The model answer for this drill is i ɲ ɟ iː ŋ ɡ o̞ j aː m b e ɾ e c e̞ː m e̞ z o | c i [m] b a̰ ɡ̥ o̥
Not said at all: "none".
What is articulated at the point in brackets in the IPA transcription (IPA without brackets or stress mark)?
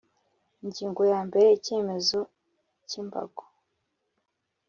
m